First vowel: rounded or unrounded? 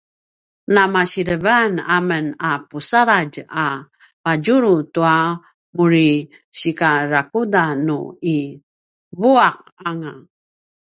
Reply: unrounded